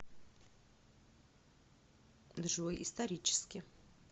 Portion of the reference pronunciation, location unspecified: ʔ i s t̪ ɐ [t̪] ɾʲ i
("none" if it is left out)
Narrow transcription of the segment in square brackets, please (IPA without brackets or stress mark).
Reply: none